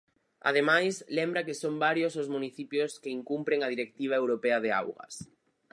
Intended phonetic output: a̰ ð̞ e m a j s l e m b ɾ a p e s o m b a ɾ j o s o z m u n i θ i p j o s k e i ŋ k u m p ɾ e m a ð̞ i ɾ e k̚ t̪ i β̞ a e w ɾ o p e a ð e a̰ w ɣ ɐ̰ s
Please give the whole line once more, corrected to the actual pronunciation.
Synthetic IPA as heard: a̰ ð̞ e m a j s l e m b ɾ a k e s o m b a ɾ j o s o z m u n i θ i p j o s k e i ŋ k u m p ɾ e ŋ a ð̞ i ɾ e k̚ t̪ i β̞ a e w ɾ o p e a ð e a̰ w ɣ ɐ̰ s